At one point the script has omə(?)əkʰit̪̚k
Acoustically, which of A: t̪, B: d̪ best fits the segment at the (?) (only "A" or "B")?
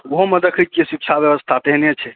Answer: B